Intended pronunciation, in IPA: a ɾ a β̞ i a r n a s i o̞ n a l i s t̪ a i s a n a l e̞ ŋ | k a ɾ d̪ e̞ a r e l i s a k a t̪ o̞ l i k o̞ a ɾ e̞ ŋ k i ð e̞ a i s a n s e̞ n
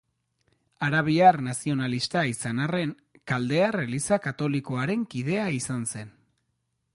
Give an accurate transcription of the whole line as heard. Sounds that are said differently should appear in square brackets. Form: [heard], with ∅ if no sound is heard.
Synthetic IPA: a ɾ a β̞ i a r n a s i o̞ n a l i s t̪ a i s a n a [r] e̞ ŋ | k a [l] d̪ e̞ a r e l i s a k a t̪ o̞ l i k o̞ a ɾ e̞ ŋ k i ð e̞ a i s a n s e̞ n